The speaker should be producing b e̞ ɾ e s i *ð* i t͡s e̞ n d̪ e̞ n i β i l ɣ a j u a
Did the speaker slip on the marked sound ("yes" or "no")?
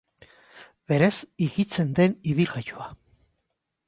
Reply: yes